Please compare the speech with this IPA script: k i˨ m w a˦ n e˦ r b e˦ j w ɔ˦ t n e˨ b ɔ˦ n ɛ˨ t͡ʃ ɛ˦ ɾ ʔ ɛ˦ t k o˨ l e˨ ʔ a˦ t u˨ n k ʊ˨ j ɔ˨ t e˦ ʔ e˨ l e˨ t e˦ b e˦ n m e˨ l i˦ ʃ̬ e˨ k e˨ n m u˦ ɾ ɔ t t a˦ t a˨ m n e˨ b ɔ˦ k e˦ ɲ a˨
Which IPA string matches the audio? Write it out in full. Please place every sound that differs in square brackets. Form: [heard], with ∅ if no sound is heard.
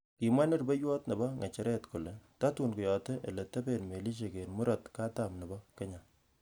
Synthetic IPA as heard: k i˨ m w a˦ n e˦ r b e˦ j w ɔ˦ t n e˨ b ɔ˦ [ŋ] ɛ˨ t͡ʃ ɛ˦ ɾ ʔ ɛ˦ t k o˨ l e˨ [t] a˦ t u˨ n k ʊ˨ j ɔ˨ t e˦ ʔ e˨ l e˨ t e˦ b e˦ n m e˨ l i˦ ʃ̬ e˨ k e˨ n m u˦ ɾ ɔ t [k] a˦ t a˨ m n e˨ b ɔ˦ k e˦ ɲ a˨